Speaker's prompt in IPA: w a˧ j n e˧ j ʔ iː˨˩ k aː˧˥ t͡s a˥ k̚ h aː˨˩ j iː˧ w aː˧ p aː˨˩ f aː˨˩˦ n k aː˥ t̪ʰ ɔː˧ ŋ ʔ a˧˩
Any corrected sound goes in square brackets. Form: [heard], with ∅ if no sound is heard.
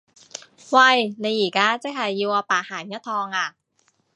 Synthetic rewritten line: w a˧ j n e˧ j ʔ iː˨˩ k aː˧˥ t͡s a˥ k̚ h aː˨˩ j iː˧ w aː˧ p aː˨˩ [h] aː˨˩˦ n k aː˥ t̪ʰ ɔː˧ ŋ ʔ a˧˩